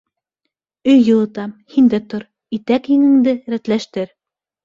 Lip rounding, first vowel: rounded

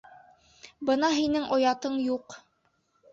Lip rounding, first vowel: unrounded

